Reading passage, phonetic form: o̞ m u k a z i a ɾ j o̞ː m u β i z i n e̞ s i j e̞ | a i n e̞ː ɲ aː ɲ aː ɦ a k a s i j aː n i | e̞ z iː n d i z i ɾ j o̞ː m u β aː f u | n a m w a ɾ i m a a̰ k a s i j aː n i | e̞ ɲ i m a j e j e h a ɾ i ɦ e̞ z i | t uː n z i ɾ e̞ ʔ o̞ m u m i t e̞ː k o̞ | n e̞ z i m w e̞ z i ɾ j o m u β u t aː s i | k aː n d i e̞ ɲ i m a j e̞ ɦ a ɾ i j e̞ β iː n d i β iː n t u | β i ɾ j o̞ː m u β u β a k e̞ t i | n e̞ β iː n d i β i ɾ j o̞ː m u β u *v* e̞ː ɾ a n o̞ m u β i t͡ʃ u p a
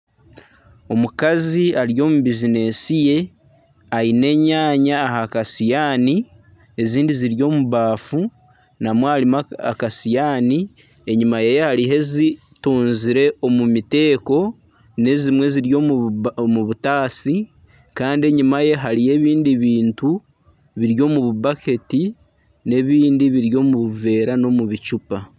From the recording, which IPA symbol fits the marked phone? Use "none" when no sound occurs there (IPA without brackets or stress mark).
v